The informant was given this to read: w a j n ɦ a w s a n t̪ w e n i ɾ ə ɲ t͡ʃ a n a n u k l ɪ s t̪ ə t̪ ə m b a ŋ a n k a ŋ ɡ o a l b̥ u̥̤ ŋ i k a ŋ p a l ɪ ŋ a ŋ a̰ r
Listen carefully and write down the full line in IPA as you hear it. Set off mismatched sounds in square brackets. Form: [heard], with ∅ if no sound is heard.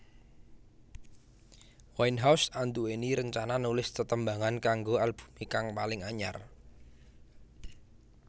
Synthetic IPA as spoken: w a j n ɦ a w s a n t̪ [u] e n i ɾ ə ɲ t͡ʃ a n a n u [∅] l ɪ s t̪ ə t̪ ə m b a ŋ a n k a ŋ ɡ o a l b̥ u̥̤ [m] i k a ŋ p a l ɪ ŋ a [ɲ] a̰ r